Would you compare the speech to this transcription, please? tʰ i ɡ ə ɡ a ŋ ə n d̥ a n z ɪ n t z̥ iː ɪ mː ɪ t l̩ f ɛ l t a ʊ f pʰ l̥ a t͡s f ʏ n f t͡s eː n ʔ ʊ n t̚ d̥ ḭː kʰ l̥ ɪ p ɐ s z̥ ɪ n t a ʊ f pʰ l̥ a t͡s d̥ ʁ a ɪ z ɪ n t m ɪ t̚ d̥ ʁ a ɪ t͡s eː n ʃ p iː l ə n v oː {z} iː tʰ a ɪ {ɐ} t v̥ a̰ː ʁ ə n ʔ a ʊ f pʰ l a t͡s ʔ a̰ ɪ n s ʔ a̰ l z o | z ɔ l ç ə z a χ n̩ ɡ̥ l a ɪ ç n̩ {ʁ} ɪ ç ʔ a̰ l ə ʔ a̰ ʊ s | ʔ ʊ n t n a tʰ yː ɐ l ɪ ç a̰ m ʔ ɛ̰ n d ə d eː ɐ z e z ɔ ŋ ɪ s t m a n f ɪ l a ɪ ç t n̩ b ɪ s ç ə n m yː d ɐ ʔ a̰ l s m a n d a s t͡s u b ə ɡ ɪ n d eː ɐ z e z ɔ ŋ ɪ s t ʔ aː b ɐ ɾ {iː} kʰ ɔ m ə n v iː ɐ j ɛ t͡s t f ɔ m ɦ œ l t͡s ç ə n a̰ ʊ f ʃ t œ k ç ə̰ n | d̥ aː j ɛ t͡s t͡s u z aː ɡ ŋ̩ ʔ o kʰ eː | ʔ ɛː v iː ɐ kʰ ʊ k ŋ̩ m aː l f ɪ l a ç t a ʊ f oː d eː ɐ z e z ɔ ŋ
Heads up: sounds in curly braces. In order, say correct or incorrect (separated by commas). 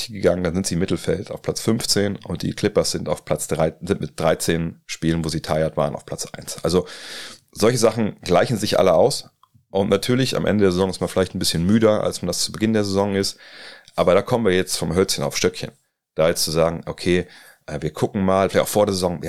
correct, correct, incorrect, incorrect